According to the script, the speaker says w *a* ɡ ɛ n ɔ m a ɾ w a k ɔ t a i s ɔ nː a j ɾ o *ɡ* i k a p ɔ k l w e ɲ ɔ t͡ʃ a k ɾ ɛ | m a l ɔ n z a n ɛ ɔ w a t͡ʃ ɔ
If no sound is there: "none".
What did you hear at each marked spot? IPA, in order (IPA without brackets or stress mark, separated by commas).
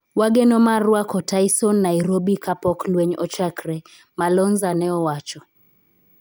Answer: a, b